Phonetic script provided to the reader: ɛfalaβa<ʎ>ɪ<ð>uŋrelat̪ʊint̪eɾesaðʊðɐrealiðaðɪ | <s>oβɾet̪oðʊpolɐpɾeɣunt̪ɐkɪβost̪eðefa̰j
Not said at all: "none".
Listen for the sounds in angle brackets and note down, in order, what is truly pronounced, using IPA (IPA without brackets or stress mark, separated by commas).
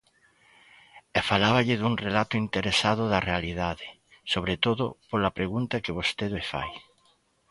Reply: ʎ, ð, s